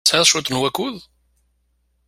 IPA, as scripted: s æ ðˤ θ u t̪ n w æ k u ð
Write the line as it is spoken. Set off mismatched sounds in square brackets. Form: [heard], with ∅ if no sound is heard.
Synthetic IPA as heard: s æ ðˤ [ʃ] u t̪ n w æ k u ð

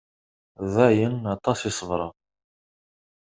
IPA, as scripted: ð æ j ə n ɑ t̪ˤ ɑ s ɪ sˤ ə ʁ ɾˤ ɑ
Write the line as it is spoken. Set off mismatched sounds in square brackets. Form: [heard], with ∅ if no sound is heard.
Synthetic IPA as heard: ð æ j ə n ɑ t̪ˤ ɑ s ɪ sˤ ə [v] ɾˤ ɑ

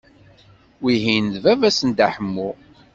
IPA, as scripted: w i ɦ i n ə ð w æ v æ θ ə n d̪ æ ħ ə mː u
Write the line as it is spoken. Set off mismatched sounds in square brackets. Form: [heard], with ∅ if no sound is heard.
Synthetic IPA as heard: w i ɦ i n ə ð [v] æ v æ [s] ə n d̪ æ ħ ə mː u

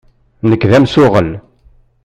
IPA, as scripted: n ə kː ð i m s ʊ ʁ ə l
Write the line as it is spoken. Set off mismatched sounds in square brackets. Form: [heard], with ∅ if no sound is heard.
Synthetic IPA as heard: n ə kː ð [æ] m s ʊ ʁ ə l

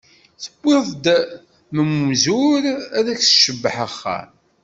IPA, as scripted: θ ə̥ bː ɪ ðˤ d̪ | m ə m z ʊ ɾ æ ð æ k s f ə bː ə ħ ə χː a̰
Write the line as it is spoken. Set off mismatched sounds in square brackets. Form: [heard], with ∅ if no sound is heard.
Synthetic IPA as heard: θ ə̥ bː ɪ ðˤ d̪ | m ə m z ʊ ɾ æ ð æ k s [ʃ] ə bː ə ħ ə χː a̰

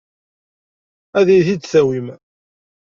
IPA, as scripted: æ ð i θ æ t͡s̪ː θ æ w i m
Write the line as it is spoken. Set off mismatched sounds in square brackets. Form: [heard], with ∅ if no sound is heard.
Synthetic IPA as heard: æ ð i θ [i] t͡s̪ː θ æ w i m

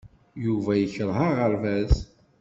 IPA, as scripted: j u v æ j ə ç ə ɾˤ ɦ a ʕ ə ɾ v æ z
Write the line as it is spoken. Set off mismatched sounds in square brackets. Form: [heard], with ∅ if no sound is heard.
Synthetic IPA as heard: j u v æ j ə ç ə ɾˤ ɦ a [ʁ] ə ɾ v æ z

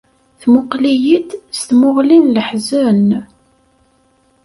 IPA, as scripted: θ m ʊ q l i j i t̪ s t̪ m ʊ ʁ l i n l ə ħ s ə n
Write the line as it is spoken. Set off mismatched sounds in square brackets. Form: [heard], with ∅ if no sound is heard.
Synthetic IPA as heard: θ m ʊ q l i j i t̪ s t̪ m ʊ ʁ l i n l ə ħ [z] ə n

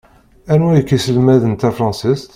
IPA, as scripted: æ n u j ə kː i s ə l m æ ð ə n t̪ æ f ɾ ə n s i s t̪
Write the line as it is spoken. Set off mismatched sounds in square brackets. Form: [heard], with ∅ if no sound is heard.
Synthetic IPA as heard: æ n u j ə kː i s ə l m æ ð ə n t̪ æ f ɾ [ɑ] n s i s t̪

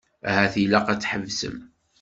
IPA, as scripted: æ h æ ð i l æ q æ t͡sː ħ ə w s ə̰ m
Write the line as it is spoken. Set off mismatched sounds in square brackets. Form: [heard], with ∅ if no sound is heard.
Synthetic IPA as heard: æ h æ [θ] i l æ q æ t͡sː ħ ə [v] s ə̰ m

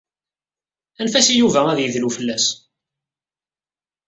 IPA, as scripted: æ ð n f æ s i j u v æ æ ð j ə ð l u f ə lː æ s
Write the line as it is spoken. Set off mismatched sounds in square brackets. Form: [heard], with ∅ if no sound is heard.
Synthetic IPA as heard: æ [∅] n f æ s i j u v æ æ ð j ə ð l u f ə lː æ s

